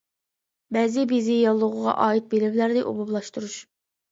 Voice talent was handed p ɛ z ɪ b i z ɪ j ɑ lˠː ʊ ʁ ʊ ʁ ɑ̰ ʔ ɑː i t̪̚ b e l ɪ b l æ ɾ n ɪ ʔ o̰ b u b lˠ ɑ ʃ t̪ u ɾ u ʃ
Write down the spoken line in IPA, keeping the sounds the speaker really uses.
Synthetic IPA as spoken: b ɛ z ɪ b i z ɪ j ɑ lˠː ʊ ʁ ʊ ʁ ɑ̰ ʔ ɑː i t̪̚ b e l ɪ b l æ ɾ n ɪ ʔ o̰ b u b lˠ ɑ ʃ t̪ u ɾ u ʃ